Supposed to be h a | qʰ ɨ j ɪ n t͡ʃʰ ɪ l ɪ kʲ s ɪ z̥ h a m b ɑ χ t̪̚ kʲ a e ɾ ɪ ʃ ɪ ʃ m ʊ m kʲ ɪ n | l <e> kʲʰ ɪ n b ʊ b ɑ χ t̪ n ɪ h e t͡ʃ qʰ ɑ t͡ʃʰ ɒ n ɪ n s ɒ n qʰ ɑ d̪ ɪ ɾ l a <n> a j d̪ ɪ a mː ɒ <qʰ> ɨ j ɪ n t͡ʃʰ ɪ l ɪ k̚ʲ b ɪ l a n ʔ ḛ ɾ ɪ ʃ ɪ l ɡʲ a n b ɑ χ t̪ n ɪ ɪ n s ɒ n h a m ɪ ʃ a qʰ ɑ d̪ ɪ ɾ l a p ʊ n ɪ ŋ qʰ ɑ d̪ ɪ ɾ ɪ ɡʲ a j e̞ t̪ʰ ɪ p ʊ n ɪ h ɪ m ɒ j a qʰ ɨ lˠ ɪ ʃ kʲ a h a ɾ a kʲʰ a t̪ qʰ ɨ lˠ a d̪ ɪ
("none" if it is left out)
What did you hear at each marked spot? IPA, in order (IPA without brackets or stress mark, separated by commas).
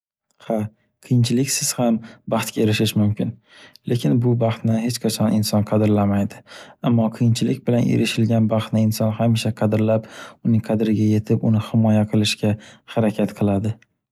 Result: e, m, qʰ